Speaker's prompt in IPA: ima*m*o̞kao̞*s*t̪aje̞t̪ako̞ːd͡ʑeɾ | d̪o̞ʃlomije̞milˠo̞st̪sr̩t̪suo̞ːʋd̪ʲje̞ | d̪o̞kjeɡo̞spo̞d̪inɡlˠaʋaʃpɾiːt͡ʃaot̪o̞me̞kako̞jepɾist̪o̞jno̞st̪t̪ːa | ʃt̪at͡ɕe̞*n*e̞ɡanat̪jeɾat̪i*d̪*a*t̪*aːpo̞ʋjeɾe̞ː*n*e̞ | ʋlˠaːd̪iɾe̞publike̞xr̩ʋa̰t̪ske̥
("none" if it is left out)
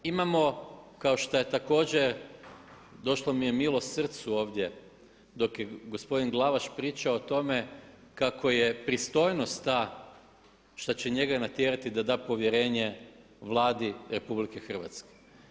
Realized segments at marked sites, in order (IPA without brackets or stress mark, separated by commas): m, ʃ, ɲ, d̪, d̪, ɲ